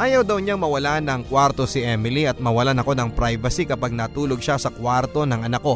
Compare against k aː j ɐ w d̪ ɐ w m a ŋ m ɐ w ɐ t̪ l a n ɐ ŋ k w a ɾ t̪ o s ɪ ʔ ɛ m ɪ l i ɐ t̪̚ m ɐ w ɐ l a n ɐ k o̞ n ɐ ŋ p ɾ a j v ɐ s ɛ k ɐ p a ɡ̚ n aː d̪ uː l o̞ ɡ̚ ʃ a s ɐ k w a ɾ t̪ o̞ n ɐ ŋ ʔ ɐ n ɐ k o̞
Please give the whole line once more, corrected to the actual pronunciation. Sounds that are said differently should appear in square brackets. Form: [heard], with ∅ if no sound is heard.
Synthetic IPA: [ʔ] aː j ɐ w d̪ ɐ w [ɲ] a ŋ m ɐ w ɐ [∅] l a n ɐ ŋ k w a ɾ t̪ o s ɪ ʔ ɛ m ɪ l i ɐ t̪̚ m ɐ w ɐ l a n ɐ k o̞ n ɐ ŋ p ɾ a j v ɐ s [i] k ɐ p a ɡ̚ n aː [t̪] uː l o̞ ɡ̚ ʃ a s ɐ k w a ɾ t̪ o̞ n ɐ ŋ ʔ ɐ n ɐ k o̞